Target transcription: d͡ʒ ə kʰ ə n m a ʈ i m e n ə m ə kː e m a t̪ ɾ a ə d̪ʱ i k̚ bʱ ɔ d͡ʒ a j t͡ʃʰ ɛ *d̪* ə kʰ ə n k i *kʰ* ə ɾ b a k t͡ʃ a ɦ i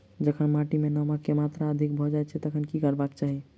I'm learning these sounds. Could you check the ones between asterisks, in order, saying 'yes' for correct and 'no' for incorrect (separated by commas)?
no, no